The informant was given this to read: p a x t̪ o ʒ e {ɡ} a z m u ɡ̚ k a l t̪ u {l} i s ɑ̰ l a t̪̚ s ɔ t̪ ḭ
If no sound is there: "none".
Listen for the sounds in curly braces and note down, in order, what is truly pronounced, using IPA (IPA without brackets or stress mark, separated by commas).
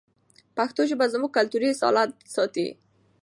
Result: b, ɾ